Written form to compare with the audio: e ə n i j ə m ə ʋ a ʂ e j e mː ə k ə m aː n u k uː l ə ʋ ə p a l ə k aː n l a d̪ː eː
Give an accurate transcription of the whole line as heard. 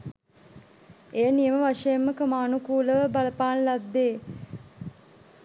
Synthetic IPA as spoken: e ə n i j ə m ə ʋ a ʂ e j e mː ə k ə m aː n u k uː l ə ʋ ə b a l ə p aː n l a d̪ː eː